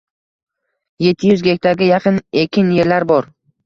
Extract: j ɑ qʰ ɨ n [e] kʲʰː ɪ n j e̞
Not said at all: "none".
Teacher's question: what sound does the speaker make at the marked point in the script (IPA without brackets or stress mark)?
e